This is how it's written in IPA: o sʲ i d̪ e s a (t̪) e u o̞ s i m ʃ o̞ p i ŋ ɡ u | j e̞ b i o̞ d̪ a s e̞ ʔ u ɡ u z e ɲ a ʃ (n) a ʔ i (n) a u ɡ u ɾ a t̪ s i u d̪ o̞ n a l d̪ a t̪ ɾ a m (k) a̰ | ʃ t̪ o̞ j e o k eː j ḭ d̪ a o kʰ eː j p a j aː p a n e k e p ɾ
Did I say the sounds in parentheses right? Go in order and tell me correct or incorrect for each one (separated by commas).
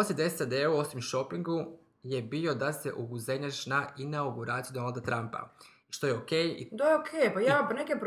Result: incorrect, correct, correct, incorrect